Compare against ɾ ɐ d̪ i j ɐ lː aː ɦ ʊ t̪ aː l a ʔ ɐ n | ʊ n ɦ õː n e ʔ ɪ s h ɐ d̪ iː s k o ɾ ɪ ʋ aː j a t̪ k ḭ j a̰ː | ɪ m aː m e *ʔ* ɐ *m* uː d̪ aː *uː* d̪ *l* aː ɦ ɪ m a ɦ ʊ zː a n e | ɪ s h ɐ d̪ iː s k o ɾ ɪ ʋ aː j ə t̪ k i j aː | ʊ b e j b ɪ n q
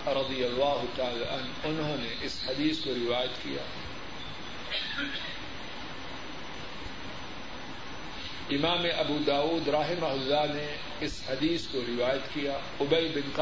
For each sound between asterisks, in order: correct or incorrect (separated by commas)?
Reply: correct, incorrect, correct, incorrect